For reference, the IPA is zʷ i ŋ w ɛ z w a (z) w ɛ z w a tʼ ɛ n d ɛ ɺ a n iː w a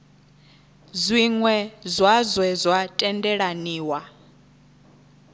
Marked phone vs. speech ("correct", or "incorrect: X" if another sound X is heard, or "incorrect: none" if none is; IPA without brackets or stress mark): correct